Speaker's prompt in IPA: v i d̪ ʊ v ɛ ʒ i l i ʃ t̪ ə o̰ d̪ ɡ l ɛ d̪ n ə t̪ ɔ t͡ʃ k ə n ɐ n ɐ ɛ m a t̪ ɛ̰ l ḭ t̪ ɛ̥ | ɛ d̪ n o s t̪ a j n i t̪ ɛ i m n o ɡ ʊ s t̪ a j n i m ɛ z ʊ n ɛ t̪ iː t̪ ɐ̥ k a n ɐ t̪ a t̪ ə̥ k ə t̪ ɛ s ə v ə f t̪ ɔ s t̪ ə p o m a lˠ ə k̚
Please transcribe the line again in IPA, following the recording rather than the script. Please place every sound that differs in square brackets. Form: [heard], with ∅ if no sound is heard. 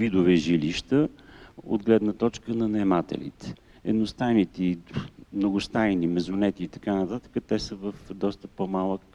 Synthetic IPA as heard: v i d̪ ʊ v ɛ ʒ i l i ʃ t̪ ə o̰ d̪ ɡ l ɛ d̪ n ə t̪ ɔ t͡ʃ k ə n ɐ n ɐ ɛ m a t̪ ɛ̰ l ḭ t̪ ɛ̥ | ɛ d̪ n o s t̪ a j n i t̪ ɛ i m n o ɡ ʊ s t̪ a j n i m ɛ z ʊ n ɛ t̪ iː t̪ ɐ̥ k a n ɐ t̪ a t̪ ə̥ k ə t̪ ɛ s ə v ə f [d̪] ɔ s t̪ ə p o m a lˠ ə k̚